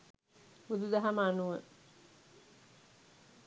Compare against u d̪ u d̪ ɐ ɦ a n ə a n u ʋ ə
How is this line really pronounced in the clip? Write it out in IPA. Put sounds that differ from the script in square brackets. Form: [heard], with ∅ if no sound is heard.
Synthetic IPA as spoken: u d̪ u d̪ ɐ ɦ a [m] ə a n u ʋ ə